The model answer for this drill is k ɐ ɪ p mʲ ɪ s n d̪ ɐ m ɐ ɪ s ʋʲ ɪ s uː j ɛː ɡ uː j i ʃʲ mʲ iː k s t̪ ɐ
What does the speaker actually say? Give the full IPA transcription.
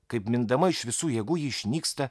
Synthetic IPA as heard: k ɐ ɪ p mʲ ɪ n d̪ ɐ m ɐ ɪ ʃ ʋʲ ɪ s uː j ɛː ɡ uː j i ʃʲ nʲ iː k s t̪ ɐ